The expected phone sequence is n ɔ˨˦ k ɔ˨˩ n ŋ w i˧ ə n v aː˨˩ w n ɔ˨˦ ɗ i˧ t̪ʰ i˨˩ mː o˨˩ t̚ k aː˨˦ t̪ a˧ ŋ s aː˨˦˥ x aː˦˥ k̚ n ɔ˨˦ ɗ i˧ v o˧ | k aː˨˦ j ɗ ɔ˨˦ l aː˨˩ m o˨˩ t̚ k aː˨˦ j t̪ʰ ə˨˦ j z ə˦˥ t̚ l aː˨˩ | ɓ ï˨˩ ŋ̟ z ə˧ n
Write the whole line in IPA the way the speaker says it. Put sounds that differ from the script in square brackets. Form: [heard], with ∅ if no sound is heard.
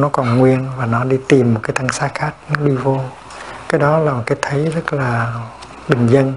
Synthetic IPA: n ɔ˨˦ k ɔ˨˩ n ŋ w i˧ ə n v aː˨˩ [∅] n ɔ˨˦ ɗ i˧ [t̪] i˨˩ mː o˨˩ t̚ k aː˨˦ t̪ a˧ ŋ s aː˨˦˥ x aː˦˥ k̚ n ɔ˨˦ ɗ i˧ v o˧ | k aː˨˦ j ɗ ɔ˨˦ l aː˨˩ m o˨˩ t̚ k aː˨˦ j t̪ʰ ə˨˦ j z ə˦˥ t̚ l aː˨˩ | ɓ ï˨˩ ŋ̟ z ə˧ n